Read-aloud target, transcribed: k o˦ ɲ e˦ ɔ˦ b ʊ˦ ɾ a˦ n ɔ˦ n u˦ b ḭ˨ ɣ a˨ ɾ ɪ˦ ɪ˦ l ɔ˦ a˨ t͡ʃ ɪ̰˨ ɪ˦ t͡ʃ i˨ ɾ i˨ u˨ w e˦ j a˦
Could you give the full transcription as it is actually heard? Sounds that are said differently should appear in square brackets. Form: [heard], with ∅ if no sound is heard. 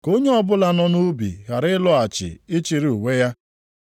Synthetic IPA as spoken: k o˦ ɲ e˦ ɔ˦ b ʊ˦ [l] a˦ n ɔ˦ n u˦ b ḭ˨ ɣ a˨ ɾ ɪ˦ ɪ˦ l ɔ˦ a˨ t͡ʃ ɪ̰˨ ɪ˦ t͡ʃ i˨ ɾ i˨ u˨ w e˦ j a˦